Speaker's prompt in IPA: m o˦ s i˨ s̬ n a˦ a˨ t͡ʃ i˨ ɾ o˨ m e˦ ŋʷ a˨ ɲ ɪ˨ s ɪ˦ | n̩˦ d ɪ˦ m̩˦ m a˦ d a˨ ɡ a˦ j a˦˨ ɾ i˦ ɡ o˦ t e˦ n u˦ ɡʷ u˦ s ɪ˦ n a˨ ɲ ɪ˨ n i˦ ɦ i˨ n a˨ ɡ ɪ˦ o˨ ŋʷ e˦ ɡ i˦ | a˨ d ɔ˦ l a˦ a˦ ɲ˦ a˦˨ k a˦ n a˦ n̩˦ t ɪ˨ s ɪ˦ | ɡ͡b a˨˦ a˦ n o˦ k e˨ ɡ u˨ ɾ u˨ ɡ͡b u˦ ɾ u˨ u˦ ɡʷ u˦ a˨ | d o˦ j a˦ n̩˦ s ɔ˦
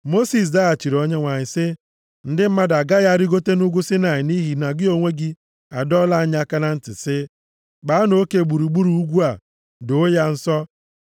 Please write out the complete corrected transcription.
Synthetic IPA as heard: m o˦ s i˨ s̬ d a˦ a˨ t͡ʃ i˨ ɾ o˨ ɲ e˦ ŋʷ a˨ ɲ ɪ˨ s ɪ˦ | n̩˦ d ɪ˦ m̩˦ m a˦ d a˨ ɡ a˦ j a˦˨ ɾ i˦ ɡ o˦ t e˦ n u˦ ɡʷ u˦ s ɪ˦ n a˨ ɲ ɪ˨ n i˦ ɦ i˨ n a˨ ɡ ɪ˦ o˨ ŋʷ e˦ ɡ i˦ | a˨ d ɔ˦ l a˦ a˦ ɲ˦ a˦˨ k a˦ n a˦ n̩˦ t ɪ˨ s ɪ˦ | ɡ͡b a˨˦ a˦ n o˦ k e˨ ɡ͡b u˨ ɾ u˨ ɡ͡b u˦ ɾ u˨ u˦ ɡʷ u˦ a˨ | d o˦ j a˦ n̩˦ s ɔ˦